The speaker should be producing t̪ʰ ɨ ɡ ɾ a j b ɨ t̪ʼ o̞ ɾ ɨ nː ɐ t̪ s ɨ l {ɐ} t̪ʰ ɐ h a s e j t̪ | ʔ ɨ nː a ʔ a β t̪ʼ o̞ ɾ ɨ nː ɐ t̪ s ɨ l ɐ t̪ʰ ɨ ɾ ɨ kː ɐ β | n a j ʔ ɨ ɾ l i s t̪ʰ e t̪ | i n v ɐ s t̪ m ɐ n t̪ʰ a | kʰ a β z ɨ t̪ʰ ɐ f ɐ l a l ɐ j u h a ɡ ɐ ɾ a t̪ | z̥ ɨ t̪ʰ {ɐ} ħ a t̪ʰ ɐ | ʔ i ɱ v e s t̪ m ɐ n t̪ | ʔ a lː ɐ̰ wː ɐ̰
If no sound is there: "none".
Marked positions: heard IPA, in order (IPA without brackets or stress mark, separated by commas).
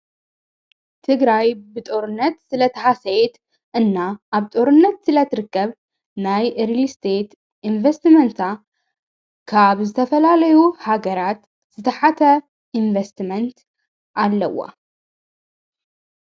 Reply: ɐ, ɐ